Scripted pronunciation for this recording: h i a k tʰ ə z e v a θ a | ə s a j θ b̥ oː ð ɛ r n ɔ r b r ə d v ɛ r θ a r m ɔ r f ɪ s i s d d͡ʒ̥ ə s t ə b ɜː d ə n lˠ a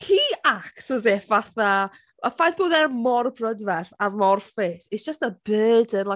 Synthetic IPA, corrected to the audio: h i a k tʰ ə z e v a θ a | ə f a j θ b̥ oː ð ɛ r m ɔ r b r ə d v ɛ r θ a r m ɔ r f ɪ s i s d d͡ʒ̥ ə s t ə b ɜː d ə n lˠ a